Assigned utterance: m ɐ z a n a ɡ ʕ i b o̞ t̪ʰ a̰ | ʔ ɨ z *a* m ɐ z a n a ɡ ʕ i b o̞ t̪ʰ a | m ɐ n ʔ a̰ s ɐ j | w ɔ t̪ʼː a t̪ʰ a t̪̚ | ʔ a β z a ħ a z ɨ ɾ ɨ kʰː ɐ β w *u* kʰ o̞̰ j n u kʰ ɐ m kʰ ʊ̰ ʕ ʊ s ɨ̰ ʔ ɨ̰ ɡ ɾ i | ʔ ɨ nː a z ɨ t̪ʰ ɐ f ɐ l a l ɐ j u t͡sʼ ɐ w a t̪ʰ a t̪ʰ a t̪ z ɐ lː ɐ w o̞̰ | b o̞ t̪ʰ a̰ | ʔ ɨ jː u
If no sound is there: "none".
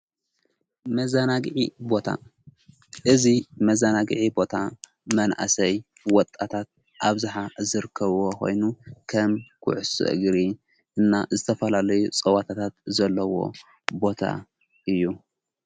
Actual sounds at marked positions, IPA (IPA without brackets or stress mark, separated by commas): i, o